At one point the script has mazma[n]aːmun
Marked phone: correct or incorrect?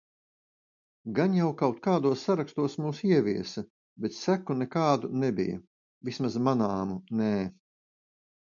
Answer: correct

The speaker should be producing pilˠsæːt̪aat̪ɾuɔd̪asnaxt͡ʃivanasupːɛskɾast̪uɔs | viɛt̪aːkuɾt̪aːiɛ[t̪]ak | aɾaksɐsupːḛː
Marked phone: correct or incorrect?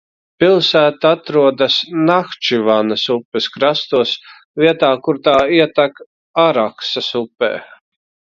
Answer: correct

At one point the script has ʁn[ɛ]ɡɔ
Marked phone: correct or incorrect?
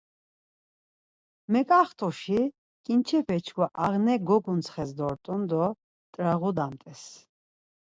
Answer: correct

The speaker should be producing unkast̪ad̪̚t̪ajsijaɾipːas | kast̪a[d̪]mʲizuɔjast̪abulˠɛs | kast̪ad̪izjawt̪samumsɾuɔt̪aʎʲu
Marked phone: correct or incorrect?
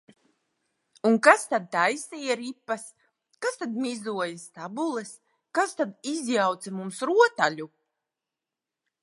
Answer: correct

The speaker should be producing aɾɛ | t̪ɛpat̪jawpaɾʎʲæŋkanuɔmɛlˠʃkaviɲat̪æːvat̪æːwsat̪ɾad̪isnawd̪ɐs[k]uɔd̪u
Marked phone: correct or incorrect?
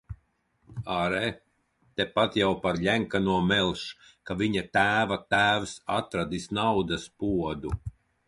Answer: incorrect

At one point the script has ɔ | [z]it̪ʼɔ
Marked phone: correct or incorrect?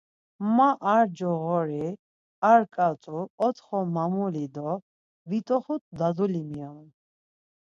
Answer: incorrect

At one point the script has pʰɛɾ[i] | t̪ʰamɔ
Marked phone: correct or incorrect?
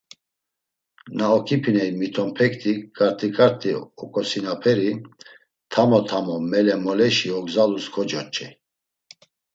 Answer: correct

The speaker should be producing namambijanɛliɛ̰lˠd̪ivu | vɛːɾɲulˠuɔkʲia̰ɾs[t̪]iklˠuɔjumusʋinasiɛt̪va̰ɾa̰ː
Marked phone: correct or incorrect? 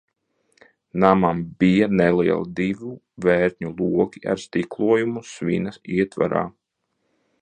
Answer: correct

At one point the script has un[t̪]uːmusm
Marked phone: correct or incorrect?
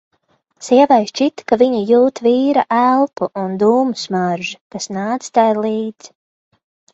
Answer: incorrect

